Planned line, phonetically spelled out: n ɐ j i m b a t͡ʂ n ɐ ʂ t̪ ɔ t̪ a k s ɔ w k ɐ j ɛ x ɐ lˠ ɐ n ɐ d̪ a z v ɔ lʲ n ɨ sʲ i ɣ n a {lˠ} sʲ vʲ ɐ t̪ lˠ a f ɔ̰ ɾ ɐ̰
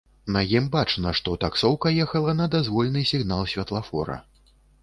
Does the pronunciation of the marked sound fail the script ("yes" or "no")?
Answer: no